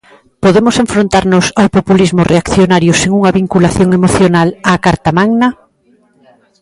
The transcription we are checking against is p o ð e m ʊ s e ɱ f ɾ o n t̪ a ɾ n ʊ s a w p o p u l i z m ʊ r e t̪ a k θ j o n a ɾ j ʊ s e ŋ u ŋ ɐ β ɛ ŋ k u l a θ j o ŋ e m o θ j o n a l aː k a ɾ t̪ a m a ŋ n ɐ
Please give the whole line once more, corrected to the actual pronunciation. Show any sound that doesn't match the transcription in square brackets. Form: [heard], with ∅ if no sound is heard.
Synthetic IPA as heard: p o ð e m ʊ s e ɱ f ɾ o n t̪ a ɾ n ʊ s a w p o p u l i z m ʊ r e [∅] a k θ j o n a ɾ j ʊ s e ŋ u ŋ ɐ β [i] ŋ k u l a θ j o ŋ e m o θ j o n a l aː k a ɾ t̪ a m a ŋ n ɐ